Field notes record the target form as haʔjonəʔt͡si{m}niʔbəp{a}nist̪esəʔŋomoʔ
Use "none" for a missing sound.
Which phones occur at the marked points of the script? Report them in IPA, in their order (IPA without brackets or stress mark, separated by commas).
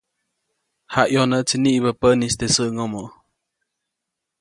none, ə